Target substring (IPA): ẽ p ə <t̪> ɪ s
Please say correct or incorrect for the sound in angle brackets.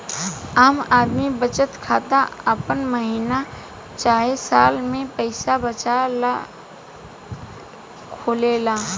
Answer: incorrect